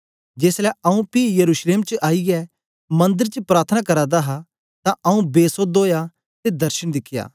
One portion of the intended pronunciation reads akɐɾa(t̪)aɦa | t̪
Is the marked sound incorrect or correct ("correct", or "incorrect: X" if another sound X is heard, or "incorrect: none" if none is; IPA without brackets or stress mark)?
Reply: incorrect: d̪